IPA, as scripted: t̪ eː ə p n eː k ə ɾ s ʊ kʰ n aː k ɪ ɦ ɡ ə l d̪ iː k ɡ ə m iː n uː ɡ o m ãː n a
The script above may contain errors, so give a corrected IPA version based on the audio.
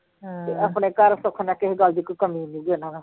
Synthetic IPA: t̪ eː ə p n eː k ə ɾ s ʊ kʰ n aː k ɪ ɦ ɡ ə l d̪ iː k k ə m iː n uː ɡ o n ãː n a

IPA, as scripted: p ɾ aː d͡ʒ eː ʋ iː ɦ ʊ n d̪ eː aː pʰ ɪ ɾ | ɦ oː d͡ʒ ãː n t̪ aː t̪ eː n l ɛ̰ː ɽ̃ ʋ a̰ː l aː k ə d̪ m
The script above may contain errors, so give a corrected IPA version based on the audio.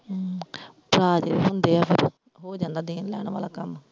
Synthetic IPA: p ɾ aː d͡ʒ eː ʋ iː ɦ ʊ n d̪ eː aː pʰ ɪ ɾ | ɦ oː d͡ʒ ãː n d̪ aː d̪ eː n l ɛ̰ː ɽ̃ ʋ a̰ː l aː k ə m

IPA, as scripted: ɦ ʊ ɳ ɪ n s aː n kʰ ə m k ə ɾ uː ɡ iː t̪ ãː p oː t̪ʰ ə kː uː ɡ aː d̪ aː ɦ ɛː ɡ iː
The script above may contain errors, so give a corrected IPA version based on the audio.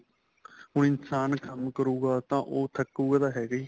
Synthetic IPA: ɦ ʊ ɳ ɪ n s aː n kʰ ə m k ə ɾ uː ɡ aː t̪ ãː ʔ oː t̪ʰ ə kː uː ɡ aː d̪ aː ɦ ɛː ɡ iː

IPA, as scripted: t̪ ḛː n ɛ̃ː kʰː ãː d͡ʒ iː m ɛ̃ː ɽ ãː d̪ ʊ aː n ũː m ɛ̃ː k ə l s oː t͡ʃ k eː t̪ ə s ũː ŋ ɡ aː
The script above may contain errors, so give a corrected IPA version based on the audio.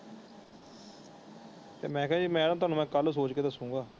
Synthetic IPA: t̪ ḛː m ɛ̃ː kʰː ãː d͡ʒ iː m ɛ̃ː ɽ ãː t̪ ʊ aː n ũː m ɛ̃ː k ə l s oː t͡ʃ k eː d̪ ə s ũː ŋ ɡ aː

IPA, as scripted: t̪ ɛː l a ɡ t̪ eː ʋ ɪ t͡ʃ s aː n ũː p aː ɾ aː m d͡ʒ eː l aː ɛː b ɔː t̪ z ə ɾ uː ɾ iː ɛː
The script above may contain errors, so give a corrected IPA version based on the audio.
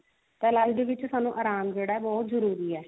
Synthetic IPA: t̪ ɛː l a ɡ d̪ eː ʋ ɪ t͡ʃ s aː n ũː ʔ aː ɾ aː m d͡ʒ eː ɽ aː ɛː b ɔː t̪ z ə ɾ uː ɾ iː ɛː

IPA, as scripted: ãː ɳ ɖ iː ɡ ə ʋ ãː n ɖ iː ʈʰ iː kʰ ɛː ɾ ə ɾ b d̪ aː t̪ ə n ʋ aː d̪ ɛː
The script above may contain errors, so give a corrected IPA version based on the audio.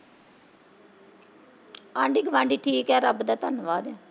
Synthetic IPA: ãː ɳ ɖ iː ɡ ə ʋ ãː ɳ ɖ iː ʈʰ iː k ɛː ɾ ə b d̪ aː t̪ ə n ʋ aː d̪ ɛː

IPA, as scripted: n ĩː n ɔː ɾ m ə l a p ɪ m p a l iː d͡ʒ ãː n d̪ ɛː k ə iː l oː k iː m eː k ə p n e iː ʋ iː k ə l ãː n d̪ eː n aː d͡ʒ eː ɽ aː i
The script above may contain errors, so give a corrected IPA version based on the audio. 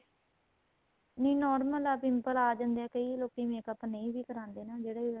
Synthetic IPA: n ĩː n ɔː ɾ m ə l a p ɪ m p ə l aː d͡ʒ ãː n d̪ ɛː k ə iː l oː k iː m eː k ə p n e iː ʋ iː k ə ɾ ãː n d̪ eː n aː d͡ʒ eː ɽ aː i

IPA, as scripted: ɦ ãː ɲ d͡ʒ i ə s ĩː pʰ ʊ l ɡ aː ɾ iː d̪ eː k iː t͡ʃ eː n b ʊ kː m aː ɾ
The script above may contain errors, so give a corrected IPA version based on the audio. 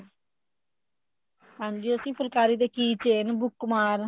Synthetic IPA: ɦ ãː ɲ d͡ʒ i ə s ĩː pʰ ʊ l k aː ɾ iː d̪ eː k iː t͡ʃ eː n b ʊ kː m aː ɾ

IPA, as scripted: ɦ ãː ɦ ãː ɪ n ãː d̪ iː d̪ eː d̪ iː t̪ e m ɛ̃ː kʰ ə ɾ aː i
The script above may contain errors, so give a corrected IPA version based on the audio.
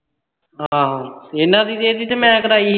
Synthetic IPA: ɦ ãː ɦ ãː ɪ n ãː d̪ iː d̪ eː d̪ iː t̪ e m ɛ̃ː k ə ɾ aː i

